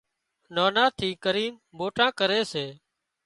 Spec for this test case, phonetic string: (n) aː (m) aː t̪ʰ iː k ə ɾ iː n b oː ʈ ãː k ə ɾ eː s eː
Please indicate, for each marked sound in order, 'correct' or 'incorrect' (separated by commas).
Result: correct, incorrect